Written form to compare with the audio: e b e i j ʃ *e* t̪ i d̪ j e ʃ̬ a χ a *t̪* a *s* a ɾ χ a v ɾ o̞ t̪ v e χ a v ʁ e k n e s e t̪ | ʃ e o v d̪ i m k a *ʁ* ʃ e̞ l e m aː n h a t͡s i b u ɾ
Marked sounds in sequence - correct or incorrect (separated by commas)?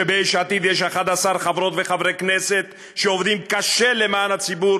incorrect, incorrect, correct, incorrect